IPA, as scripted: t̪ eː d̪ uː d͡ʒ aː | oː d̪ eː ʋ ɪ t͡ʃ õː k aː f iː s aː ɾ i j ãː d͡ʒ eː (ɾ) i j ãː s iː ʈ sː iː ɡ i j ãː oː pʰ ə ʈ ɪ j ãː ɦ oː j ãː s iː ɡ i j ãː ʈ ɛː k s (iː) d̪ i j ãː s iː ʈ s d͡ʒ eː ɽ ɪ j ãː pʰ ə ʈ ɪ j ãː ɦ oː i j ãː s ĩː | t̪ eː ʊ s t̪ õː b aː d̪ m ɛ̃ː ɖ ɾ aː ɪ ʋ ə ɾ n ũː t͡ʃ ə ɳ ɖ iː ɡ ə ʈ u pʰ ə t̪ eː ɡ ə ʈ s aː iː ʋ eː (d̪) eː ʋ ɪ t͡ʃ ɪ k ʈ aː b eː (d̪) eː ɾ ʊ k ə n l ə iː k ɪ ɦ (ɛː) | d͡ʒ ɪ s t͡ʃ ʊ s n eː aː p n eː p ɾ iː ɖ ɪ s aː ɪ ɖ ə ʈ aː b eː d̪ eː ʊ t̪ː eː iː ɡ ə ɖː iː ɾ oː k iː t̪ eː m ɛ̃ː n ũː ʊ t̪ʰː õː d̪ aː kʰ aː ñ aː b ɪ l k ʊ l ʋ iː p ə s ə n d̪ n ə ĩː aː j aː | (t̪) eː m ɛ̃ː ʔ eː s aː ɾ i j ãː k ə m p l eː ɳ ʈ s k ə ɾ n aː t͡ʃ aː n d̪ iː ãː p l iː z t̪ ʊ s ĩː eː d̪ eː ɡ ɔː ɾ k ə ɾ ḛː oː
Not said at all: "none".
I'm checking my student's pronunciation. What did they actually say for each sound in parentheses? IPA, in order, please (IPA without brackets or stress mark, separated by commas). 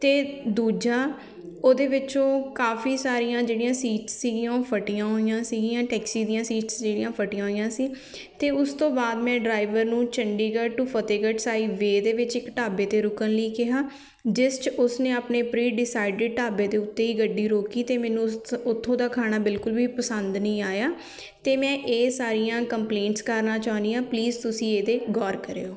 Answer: ɽ, iː, d̪, t̪, aː, t̪